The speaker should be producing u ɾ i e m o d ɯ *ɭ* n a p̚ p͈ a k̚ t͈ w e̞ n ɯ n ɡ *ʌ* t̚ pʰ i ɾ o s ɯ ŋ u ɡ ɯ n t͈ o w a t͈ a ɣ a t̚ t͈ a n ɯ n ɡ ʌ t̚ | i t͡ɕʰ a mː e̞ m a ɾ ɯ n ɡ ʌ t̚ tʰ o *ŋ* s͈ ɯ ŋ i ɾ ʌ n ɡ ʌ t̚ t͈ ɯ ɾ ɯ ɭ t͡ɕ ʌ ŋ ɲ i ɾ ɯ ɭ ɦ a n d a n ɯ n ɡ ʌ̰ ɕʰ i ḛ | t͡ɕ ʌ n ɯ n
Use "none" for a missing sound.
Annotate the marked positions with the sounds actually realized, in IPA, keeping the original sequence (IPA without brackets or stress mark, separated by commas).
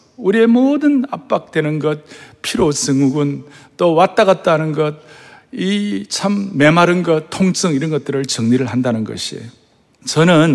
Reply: none, ʌ, ŋ